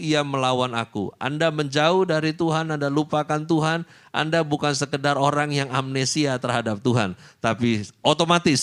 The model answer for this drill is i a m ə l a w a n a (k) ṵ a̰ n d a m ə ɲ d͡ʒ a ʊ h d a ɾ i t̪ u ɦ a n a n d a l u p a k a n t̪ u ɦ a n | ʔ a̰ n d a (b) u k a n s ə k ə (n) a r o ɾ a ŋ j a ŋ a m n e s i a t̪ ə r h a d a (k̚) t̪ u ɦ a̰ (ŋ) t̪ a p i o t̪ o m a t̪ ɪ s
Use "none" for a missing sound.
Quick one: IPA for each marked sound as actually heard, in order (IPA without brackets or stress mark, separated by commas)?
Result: k, b, d, p̚, n